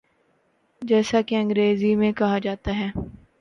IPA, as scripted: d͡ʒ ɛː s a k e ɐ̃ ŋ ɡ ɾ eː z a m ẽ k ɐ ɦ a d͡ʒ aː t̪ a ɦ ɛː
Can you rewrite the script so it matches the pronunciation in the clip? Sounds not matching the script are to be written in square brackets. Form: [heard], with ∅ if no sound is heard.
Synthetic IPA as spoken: d͡ʒ ɛː s a k e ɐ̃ ŋ ɡ ɾ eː z [i] m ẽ k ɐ ɦ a d͡ʒ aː t̪ a ɦ ɛː